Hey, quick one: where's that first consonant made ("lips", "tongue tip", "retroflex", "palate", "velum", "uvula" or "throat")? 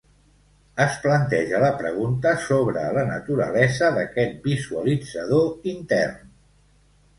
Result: tongue tip